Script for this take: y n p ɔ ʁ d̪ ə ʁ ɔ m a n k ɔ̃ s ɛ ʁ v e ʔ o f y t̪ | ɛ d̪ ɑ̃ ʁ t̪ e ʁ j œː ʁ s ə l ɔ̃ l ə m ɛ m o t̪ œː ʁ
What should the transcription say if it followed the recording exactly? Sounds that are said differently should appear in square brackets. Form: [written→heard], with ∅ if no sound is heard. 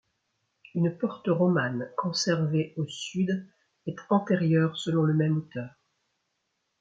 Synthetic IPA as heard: y n p ɔ ʁ [d̪→t̪] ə ʁ ɔ m a n k ɔ̃ s ɛ ʁ v e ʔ o [f→s] y [t̪→d̪] | ɛ [d̪→t̪] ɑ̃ [ʁ→∅] t̪ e ʁ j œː ʁ s ə l ɔ̃ l ə m ɛ m o t̪ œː ʁ